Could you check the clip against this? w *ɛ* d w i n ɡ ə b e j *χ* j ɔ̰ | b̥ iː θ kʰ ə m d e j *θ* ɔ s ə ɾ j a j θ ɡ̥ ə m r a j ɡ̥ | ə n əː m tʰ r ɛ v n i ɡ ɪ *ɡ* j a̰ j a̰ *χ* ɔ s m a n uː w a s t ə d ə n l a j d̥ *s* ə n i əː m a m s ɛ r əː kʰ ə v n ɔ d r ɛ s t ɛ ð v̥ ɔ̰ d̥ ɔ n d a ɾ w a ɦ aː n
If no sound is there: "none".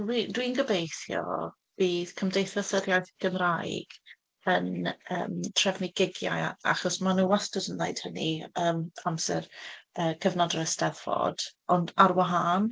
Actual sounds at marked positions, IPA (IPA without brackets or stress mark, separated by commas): i, θ, θ, ɡ, χ, h